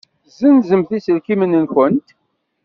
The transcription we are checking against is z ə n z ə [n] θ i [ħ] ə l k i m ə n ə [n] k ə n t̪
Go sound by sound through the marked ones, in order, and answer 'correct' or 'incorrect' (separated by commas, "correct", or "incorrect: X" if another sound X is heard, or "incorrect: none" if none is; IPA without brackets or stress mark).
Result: incorrect: m, incorrect: s, correct